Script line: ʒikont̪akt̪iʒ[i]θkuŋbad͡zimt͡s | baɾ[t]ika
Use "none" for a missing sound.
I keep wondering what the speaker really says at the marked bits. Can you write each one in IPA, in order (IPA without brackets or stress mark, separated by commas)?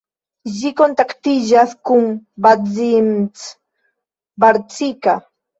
a, t͡s